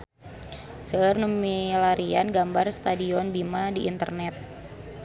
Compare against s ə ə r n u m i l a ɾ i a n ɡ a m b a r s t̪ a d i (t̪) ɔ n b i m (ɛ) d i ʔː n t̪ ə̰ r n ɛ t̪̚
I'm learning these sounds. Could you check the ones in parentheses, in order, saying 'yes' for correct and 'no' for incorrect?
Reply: no, no

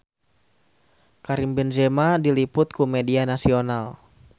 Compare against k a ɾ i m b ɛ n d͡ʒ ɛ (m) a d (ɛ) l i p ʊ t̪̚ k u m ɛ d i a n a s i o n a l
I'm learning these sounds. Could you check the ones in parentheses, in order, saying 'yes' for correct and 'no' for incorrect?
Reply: yes, no

